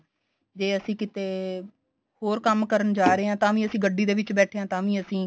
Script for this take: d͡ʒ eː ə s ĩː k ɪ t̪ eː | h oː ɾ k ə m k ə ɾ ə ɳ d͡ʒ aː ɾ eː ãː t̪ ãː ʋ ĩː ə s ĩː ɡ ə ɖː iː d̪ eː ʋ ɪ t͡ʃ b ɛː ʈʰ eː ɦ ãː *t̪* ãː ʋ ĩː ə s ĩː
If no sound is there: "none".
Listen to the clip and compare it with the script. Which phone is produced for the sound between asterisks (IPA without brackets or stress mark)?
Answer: t̪